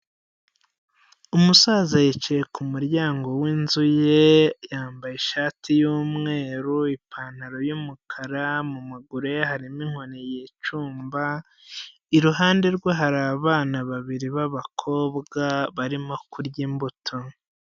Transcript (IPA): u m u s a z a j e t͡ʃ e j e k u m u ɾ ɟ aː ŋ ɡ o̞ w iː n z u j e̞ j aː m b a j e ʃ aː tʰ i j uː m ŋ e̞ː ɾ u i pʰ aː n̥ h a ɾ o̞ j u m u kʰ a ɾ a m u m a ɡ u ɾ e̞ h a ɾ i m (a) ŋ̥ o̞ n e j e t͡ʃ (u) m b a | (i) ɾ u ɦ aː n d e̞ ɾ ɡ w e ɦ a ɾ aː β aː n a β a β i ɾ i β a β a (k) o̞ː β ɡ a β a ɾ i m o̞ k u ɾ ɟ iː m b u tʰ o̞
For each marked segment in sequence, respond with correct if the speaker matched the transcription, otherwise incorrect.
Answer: incorrect: i, incorrect: uː, correct, incorrect: kʰ

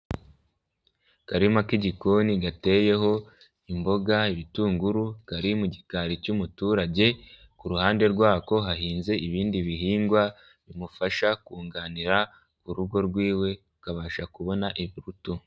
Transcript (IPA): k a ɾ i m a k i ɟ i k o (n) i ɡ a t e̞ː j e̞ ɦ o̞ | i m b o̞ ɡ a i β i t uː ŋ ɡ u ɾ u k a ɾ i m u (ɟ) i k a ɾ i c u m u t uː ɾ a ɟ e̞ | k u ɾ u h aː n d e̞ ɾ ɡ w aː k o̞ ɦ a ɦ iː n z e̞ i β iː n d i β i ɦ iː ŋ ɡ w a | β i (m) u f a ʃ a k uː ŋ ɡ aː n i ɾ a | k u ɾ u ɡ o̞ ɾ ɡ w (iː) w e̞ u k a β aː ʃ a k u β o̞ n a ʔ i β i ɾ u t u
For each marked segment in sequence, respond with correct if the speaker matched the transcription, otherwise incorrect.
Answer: correct, correct, correct, correct

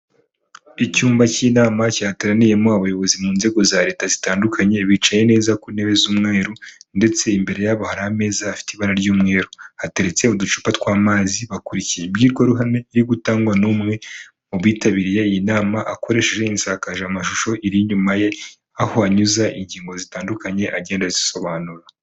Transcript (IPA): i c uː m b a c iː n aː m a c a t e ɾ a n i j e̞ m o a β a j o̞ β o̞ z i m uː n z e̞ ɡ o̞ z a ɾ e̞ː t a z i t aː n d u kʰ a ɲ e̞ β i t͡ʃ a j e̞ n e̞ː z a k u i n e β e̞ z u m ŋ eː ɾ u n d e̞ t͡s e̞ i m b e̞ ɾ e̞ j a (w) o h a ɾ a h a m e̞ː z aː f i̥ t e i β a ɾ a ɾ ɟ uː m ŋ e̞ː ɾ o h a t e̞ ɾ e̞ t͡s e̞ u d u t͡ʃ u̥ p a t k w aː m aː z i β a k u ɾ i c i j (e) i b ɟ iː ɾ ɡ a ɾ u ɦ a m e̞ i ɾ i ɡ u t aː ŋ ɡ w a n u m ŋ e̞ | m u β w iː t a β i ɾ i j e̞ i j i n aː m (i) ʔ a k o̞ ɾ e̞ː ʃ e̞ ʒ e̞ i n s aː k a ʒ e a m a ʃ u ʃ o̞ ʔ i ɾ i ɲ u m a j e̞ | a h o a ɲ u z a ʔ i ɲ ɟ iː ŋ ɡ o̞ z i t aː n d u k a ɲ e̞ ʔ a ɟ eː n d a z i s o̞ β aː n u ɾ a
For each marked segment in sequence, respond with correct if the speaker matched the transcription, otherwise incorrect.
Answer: incorrect: β, correct, incorrect: a

